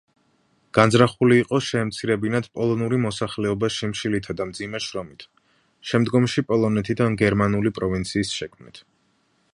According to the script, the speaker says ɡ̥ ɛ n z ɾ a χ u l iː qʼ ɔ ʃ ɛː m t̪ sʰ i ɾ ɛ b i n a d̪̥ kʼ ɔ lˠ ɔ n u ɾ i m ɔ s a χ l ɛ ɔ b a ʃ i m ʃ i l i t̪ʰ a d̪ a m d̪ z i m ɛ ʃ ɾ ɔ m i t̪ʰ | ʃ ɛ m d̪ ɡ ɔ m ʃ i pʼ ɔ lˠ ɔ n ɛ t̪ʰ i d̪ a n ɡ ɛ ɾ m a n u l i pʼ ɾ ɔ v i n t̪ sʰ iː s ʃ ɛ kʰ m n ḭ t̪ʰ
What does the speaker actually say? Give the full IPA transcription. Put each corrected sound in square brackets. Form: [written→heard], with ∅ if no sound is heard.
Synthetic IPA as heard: ɡ̥ [ɛ→a] n z ɾ a χ u l iː qʼ ɔ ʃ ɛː m t̪ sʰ i ɾ ɛ b i n a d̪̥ [kʼ→pʼ] ɔ lˠ ɔ n u ɾ i m ɔ s a χ l ɛ ɔ b a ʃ i m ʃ i l i t̪ʰ a d̪ a m d̪ z i m ɛ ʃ ɾ ɔ m i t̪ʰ | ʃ ɛ m d̪ ɡ ɔ m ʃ i pʼ ɔ lˠ ɔ n ɛ t̪ʰ i d̪ a n ɡ ɛ ɾ m a n u l i pʼ ɾ ɔ v i n t̪ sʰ iː s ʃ ɛ kʰ m n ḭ t̪ʰ